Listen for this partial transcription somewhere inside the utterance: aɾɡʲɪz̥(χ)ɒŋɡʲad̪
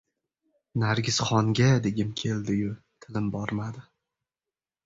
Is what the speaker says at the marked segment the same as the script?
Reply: yes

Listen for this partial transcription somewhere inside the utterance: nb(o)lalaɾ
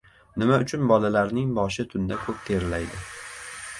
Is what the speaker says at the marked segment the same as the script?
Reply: no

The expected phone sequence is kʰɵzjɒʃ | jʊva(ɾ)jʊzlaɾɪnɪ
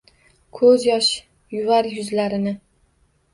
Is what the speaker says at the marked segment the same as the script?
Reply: yes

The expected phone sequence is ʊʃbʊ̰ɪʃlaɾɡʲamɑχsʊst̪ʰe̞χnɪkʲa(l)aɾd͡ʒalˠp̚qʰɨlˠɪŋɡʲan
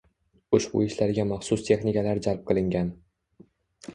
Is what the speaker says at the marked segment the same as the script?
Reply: yes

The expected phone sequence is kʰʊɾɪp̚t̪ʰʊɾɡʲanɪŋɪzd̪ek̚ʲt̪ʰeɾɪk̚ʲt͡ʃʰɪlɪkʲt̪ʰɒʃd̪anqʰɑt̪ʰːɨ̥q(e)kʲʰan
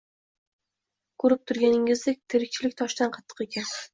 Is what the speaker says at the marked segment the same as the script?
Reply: yes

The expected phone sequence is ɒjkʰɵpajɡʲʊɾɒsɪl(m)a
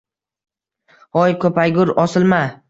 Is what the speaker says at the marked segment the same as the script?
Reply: yes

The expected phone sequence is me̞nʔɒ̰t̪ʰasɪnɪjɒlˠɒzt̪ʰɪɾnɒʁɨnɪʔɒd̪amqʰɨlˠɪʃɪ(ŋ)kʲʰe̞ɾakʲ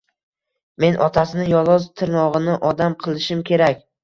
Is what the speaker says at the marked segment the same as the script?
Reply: no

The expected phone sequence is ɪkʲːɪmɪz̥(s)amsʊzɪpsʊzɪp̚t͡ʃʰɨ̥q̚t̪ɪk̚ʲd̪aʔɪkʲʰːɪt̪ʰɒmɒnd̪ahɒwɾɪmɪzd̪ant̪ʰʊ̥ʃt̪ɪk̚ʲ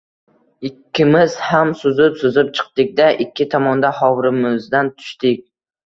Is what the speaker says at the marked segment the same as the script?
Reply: no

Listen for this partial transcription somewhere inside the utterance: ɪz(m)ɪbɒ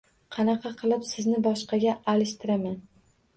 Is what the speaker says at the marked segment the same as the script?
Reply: no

